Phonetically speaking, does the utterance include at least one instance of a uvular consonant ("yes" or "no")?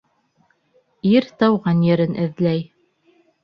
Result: yes